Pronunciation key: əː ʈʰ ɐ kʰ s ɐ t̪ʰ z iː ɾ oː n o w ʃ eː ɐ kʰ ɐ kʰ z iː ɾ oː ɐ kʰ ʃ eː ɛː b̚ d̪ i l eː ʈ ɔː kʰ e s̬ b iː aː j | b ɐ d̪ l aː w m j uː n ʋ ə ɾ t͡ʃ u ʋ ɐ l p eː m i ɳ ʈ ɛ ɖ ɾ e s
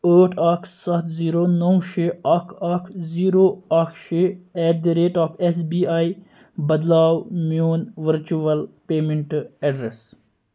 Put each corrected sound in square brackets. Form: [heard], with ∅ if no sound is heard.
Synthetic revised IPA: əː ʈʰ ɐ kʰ s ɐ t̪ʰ z iː ɾ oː n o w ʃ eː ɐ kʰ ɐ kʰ z iː ɾ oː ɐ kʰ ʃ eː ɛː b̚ d̪ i [ɾ] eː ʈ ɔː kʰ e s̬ b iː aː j | b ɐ d̪ l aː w m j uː n ʋ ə ɾ t͡ʃ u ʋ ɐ l p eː m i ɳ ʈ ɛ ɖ ɾ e s